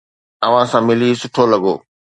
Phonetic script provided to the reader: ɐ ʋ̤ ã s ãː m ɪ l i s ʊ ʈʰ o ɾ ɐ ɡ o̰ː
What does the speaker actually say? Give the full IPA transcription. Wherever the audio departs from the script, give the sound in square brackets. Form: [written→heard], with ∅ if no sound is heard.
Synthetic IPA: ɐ ʋ̤ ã s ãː m ɪ l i s ʊ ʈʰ o [ɾ→l] ɐ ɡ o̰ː